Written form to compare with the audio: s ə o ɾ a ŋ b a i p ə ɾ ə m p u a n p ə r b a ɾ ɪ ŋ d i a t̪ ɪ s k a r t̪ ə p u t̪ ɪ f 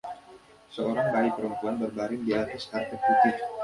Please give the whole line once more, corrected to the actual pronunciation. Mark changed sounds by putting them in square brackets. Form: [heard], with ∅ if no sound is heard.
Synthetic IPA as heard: s ə o ɾ a ŋ b a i p ə ɾ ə m p u a n [b] ə r b a ɾ ɪ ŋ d i a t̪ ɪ s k a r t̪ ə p u t̪ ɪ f